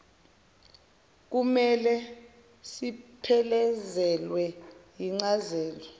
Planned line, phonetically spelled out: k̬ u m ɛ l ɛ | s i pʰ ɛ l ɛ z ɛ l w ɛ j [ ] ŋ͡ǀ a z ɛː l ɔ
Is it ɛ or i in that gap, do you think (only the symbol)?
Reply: i